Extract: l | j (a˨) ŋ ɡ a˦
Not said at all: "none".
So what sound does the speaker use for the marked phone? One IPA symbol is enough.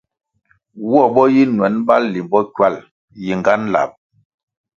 i˨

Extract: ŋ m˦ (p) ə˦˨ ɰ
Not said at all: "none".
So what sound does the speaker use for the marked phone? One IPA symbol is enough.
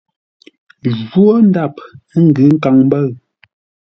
b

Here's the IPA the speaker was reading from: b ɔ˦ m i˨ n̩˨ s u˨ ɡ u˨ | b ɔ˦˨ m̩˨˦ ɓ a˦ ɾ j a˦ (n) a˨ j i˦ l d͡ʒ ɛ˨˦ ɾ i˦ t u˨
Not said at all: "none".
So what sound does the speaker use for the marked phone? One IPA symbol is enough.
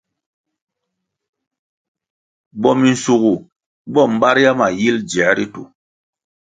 m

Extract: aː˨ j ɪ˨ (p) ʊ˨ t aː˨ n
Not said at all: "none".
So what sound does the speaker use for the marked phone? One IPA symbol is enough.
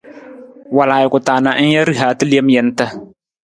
k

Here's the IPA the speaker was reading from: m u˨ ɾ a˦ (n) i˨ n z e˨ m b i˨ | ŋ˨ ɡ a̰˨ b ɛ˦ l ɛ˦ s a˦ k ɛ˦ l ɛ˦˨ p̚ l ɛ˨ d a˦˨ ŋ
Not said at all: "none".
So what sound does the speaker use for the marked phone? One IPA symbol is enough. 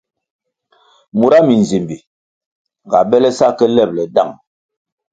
m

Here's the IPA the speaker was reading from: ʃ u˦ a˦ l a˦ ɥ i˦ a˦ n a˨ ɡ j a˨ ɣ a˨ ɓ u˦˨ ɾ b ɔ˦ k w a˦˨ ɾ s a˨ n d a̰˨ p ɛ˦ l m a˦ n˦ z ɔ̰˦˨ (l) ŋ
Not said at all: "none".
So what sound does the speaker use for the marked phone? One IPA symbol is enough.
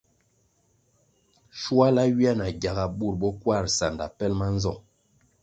none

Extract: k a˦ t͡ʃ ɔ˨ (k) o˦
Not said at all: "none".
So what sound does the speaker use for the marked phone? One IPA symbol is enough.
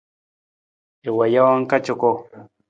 k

